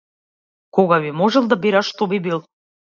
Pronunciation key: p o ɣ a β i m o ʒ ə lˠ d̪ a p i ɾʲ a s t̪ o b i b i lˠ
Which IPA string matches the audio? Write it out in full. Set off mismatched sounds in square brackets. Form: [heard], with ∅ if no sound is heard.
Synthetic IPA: [k] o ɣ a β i m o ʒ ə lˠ d̪ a [b] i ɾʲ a [ʃ] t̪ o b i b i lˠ